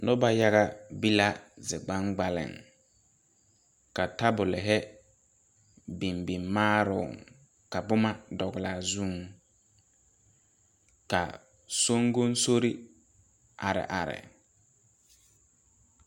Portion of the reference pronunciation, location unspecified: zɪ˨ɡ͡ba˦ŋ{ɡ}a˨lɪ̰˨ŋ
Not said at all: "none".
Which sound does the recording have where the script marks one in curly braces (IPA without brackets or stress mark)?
ɡ͡b